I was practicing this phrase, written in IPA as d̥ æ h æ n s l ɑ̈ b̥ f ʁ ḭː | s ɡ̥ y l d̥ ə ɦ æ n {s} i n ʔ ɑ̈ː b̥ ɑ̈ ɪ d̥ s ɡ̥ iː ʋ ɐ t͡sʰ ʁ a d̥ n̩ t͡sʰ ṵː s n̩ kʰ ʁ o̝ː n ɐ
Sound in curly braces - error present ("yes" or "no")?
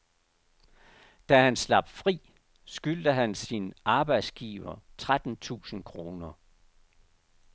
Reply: no